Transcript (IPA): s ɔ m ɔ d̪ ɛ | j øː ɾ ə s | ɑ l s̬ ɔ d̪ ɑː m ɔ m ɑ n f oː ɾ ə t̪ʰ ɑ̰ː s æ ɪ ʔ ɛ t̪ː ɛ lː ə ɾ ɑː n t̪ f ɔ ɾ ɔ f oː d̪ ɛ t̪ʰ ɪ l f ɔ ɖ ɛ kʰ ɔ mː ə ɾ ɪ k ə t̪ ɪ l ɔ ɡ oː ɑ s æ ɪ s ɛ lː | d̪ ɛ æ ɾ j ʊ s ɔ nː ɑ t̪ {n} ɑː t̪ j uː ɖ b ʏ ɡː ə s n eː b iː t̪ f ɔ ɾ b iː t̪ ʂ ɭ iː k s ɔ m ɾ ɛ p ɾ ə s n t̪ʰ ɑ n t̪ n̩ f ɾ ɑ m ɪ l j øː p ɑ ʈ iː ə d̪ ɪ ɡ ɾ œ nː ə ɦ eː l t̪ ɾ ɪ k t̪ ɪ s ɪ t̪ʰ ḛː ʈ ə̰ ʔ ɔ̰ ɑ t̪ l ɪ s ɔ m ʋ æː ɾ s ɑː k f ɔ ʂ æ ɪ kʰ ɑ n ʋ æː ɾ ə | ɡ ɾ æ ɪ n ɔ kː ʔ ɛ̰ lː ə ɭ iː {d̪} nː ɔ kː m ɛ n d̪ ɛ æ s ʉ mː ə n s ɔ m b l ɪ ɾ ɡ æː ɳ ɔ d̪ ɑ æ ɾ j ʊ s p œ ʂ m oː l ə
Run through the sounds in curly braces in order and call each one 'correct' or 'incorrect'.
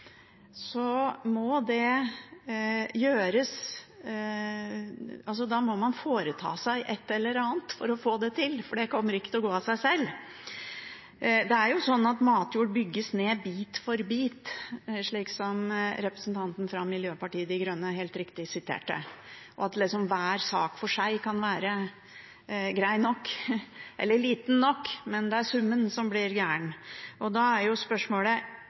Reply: incorrect: m, incorrect: t̪

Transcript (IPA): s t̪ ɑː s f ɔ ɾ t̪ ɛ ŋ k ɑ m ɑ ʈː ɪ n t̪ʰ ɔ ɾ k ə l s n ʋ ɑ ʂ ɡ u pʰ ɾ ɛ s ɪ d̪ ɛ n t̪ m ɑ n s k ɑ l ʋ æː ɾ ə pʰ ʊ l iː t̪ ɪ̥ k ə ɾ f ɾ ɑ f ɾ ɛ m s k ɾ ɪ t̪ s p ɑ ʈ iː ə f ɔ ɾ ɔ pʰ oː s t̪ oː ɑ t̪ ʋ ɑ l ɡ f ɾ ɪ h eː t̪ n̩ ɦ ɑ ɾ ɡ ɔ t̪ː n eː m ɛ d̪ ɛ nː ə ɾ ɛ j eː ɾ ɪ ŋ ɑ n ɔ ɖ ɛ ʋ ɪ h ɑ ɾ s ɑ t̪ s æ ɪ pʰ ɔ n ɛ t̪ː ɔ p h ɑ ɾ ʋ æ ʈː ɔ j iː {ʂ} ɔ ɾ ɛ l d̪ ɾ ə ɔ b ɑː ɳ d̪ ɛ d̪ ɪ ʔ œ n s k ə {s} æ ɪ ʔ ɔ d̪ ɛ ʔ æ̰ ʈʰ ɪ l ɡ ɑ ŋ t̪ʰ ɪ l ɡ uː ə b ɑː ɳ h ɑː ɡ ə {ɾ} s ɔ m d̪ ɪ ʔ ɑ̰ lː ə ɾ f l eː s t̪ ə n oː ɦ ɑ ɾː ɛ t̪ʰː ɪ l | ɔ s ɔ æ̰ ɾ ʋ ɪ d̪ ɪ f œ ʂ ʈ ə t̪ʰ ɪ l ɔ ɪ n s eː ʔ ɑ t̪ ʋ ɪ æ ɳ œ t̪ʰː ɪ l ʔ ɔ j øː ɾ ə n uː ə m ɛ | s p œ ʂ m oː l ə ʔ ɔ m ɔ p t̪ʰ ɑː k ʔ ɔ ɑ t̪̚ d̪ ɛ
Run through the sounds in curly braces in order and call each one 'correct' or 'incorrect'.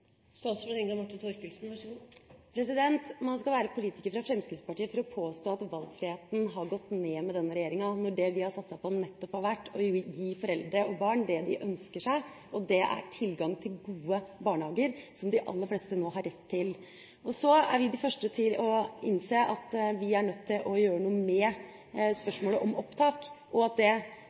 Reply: incorrect: f, incorrect: ʂ, correct

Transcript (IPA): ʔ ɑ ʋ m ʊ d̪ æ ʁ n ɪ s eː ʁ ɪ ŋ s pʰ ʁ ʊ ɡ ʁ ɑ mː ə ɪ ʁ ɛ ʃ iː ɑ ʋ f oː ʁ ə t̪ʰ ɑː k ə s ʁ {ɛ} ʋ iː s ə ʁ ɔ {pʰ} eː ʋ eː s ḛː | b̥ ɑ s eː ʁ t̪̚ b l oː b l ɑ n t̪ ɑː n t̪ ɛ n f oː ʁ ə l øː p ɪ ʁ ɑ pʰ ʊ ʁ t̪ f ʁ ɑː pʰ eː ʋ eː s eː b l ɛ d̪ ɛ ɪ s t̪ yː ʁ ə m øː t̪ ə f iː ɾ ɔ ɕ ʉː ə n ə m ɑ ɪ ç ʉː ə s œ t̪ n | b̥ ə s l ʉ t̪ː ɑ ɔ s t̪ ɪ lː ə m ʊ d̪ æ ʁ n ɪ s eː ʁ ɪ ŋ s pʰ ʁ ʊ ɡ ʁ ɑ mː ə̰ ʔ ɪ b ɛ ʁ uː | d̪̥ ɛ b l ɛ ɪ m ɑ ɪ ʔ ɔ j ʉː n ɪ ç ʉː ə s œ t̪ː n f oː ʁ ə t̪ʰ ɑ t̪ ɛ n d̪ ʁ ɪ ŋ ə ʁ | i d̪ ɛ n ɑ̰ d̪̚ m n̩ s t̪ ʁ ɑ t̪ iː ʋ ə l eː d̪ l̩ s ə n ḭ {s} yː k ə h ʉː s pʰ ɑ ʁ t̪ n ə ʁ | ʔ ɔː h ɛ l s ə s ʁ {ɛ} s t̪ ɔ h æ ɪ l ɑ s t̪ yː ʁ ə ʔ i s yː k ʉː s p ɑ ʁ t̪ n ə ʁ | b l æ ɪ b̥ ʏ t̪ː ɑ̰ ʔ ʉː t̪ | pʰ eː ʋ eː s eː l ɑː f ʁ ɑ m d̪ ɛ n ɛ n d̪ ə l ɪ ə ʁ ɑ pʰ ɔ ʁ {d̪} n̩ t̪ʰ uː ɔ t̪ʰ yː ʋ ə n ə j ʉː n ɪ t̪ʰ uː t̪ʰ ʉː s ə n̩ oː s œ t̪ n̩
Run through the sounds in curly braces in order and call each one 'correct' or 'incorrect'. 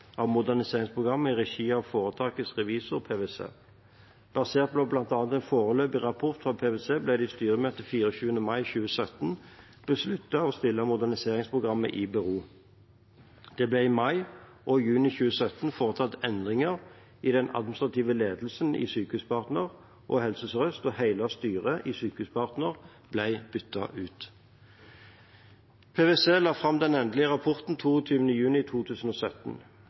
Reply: correct, correct, correct, incorrect: œ, incorrect: t̪

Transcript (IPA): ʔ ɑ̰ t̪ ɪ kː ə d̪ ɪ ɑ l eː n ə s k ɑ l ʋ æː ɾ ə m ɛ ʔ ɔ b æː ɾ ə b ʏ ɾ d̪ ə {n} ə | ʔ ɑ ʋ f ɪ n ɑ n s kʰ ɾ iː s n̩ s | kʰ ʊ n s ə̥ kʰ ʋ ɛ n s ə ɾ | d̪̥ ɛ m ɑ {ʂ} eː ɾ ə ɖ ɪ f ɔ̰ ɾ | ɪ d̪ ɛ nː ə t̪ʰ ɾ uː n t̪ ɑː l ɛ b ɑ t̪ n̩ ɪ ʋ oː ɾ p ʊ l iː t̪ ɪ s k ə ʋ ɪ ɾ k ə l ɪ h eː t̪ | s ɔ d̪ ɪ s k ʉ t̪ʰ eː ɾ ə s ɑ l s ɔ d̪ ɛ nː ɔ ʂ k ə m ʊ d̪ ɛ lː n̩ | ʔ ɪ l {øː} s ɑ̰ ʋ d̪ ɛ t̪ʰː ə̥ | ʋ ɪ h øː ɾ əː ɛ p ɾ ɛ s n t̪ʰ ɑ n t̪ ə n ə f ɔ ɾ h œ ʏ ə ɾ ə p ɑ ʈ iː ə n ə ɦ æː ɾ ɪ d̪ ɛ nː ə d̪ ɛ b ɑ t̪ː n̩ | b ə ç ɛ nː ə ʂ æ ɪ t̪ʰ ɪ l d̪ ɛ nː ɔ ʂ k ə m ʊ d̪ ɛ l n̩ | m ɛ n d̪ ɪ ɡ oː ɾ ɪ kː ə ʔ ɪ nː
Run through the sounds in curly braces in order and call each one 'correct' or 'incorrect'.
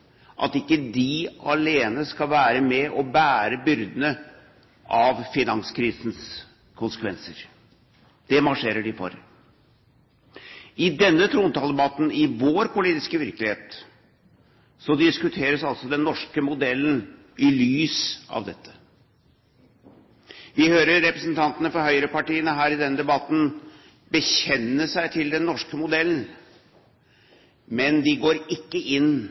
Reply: correct, correct, incorrect: yː

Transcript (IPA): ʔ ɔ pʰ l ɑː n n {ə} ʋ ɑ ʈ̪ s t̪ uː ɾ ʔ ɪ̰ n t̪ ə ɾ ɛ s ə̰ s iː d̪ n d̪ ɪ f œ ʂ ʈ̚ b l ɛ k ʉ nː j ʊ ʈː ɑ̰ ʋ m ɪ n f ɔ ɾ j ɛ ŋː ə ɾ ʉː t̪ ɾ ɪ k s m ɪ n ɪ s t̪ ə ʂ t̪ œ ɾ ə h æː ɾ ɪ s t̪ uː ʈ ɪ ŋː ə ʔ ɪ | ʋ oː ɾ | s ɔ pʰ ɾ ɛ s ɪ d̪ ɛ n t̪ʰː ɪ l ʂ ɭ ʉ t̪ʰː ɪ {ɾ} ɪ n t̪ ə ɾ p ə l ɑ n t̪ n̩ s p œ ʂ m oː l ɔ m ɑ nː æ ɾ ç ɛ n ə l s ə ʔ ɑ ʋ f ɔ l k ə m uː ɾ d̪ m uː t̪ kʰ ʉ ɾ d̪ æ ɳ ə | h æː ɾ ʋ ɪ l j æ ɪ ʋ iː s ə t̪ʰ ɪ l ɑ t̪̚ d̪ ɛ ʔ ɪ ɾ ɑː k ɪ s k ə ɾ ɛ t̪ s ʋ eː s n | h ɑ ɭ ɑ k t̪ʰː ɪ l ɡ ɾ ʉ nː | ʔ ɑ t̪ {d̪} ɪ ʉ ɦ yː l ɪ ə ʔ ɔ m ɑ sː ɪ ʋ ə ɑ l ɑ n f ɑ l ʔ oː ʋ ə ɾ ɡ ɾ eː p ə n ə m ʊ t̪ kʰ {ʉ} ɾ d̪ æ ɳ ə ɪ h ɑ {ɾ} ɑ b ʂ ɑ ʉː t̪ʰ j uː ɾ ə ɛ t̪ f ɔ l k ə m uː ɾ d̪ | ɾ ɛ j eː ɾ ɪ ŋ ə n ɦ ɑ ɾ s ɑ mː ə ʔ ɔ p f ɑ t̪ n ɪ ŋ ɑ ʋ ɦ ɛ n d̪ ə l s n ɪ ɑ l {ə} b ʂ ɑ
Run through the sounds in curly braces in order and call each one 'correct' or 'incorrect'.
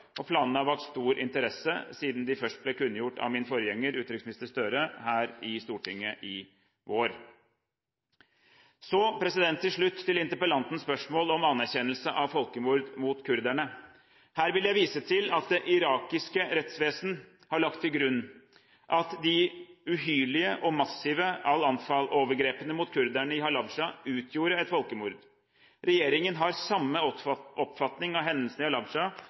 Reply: incorrect: ɑ, incorrect: l, correct, correct, incorrect: l, incorrect: ɑ

